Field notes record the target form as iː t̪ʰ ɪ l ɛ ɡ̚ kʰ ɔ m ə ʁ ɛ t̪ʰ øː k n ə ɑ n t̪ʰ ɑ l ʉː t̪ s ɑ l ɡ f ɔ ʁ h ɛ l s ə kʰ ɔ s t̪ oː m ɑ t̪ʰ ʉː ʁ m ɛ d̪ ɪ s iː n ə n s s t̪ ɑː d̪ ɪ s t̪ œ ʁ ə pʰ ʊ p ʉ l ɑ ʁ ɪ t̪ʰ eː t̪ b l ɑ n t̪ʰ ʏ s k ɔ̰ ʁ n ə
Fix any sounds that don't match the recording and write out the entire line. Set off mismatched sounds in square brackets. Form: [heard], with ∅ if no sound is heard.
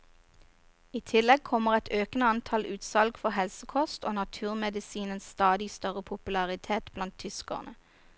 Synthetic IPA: iː t̪ʰ ɪ l ɛ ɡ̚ kʰ ɔ m ə ʁ ɛ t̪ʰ øː k n ə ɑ n t̪ʰ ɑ l ʉː t̪ s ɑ l ɡ f ɔ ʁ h ɛ l s ə kʰ ɔ s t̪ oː [n] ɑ t̪ʰ ʉː ʁ m ɛ d̪ ɪ s iː n ə n s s t̪ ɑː d̪ ɪ s t̪ œ ʁ ə pʰ ʊ p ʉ l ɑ ʁ ɪ t̪ʰ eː t̪ b l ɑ n t̪ʰ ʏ s k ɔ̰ ʁ n ə